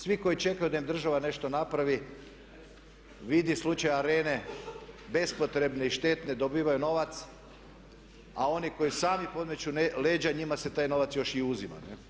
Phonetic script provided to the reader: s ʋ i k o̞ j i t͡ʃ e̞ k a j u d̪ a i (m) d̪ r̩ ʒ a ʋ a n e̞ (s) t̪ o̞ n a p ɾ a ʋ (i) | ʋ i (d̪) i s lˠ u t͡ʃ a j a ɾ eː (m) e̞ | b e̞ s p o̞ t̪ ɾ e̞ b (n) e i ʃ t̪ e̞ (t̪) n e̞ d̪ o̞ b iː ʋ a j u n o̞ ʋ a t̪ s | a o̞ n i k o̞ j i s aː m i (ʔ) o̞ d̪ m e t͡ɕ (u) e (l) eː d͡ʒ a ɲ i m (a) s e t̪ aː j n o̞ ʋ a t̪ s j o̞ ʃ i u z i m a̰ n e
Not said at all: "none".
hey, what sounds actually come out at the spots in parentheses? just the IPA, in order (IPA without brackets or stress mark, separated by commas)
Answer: m, ʃ, i, d̪, n, n, t̪, p, u, l, a